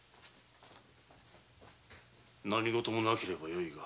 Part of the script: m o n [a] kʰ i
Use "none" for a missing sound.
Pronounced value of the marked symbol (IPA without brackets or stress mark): a